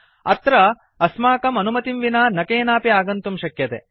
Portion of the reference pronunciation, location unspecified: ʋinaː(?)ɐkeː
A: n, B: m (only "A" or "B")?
A